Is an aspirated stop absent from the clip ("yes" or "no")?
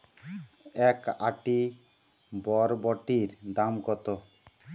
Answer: yes